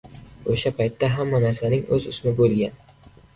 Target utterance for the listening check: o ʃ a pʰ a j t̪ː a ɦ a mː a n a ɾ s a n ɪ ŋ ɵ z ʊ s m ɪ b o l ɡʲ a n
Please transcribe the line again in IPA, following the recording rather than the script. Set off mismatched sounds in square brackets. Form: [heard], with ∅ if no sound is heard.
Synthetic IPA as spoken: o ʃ a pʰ a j t̪ː a ɦ a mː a n a ɾ s a n ɪ ŋ ɵ z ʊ s m ɪ b o l ɡʲ a n